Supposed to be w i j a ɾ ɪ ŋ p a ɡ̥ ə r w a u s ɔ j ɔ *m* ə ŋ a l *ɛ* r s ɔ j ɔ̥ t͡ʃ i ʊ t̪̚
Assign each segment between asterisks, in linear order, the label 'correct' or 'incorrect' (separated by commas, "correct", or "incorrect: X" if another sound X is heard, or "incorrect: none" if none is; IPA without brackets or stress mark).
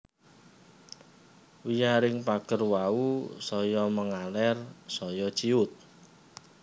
correct, correct